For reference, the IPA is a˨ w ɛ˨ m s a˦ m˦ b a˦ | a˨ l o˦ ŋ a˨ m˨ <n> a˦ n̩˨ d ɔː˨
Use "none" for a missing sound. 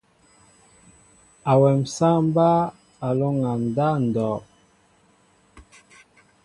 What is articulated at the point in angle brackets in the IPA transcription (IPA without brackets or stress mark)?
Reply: d